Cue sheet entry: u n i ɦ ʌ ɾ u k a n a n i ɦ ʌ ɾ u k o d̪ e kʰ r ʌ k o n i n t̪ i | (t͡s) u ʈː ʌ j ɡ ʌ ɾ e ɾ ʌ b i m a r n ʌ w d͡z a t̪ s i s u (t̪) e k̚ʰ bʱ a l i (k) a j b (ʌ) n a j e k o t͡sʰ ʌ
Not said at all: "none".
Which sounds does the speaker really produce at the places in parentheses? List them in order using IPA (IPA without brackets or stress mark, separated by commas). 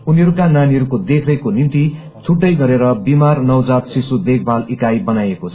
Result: t͡sʰ, d̪, k, ʌ